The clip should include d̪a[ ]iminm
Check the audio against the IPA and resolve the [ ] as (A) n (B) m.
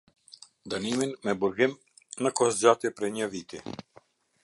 A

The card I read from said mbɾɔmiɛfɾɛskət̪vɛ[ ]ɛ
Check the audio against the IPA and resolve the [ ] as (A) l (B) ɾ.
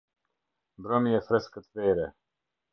B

